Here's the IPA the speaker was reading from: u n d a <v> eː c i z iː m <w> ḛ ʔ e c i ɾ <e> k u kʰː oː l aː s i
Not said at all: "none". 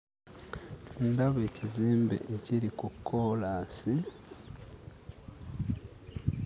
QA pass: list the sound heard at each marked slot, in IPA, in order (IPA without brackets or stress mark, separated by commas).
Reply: β, b, i